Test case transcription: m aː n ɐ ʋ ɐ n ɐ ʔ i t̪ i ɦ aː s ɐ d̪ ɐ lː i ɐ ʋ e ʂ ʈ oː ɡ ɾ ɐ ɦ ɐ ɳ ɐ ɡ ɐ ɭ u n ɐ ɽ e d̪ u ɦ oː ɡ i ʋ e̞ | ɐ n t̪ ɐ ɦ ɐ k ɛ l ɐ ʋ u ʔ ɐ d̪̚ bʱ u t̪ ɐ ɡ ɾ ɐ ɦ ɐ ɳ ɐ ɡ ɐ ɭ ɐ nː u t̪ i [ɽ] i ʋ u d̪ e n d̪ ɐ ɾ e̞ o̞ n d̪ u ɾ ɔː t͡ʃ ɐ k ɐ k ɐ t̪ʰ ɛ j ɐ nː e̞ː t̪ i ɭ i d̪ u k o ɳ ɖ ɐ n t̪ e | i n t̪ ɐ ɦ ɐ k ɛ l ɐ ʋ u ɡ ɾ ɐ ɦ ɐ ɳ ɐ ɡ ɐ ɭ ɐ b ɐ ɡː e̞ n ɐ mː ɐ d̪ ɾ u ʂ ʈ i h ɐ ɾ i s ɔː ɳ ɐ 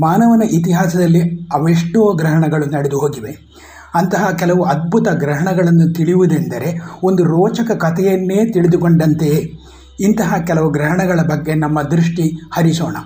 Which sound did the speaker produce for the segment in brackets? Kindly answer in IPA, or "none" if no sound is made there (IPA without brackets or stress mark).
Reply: ɭ